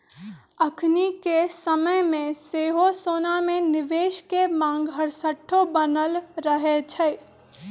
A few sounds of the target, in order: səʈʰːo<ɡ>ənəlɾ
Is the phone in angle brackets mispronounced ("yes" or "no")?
yes